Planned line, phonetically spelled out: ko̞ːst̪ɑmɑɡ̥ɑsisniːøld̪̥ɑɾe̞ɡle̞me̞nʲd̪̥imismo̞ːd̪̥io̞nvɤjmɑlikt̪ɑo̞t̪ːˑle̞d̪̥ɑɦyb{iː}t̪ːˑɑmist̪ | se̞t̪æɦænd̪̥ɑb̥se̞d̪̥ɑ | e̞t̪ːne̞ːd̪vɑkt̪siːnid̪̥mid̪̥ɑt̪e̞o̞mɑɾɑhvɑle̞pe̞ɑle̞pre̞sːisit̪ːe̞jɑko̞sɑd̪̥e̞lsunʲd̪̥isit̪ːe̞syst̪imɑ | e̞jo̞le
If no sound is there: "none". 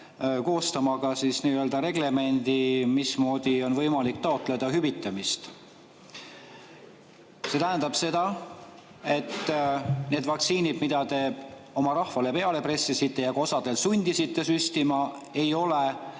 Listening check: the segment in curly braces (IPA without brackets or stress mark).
i